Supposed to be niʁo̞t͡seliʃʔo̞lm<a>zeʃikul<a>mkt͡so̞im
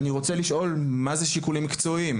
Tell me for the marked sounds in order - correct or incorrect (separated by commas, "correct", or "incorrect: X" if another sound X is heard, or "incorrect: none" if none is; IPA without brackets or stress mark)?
correct, incorrect: i